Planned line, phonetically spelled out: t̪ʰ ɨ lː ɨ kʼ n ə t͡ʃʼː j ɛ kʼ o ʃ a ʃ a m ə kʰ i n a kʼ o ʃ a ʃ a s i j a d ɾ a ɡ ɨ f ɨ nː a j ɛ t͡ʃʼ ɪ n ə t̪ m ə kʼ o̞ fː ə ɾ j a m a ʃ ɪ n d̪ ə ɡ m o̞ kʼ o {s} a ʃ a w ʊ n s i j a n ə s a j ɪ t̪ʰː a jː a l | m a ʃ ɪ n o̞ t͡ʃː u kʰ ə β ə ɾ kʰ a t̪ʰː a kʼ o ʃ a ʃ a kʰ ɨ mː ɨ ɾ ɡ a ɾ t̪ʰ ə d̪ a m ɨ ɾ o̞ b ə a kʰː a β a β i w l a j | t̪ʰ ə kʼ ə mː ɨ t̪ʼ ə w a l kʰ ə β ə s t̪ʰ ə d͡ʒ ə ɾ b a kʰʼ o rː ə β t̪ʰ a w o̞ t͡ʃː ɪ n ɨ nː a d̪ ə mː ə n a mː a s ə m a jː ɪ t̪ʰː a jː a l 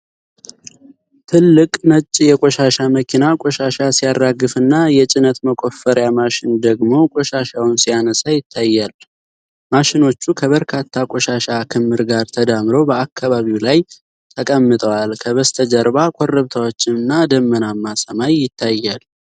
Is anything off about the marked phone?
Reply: yes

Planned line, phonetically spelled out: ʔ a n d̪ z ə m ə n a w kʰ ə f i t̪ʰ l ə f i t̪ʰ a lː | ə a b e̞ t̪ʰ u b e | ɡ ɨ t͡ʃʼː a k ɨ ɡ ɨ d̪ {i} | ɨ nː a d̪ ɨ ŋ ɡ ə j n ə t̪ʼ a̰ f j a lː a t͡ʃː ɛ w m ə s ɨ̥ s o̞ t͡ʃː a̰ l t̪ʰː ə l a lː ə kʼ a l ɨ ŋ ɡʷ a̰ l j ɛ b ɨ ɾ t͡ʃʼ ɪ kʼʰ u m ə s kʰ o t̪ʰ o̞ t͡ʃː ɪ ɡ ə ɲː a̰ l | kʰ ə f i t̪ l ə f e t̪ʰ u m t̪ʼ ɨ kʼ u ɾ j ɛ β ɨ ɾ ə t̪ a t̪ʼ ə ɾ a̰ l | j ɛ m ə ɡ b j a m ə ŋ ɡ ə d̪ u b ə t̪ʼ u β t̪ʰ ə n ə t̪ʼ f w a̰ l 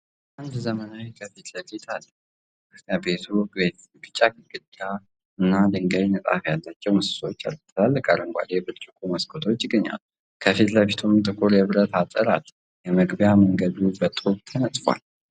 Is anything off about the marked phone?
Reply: yes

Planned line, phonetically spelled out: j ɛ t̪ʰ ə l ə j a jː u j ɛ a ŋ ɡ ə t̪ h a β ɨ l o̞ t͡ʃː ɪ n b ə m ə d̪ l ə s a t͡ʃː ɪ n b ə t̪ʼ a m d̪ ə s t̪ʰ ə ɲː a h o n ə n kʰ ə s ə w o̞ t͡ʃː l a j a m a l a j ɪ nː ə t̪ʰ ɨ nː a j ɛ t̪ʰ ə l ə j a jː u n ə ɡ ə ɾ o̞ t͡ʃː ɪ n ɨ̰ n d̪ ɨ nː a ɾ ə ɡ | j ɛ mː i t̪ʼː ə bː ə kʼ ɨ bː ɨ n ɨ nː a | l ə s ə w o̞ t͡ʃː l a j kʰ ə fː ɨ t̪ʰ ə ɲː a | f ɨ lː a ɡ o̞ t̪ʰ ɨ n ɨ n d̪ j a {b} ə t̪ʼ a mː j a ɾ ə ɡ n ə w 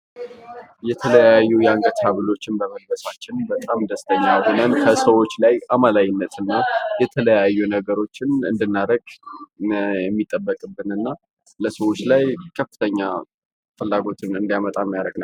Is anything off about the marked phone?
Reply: yes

